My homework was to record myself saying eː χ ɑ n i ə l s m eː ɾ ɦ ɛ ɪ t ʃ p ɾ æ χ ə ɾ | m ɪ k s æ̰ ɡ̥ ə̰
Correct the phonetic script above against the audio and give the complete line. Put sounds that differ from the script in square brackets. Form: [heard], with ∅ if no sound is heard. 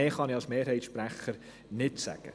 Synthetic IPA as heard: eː χ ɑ n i [ɑ] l s m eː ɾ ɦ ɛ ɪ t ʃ p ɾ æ χ ə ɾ | [n] ɪ [t] s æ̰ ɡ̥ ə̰